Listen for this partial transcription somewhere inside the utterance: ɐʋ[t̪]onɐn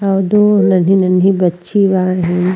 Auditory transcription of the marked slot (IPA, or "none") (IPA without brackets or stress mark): d̪